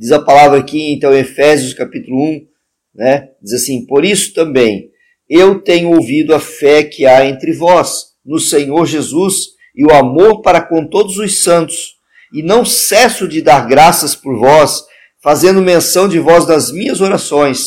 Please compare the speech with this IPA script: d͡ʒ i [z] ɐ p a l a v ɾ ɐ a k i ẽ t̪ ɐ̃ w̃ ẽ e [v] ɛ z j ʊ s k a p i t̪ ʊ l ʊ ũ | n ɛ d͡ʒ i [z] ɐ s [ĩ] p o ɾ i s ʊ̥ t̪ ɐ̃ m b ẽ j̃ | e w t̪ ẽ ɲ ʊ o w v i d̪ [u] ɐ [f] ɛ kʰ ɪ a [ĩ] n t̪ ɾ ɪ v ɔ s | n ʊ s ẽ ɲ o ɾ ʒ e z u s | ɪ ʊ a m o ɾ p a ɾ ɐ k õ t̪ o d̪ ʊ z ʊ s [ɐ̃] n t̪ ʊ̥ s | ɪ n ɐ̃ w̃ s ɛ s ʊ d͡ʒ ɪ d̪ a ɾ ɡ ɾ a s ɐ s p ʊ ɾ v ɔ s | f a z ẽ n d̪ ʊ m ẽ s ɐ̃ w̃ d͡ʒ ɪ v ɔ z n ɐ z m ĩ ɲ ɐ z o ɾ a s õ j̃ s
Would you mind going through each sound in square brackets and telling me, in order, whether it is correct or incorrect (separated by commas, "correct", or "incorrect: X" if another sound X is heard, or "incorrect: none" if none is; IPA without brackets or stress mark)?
correct, incorrect: f, correct, correct, incorrect: ʊ, correct, incorrect: ẽ, correct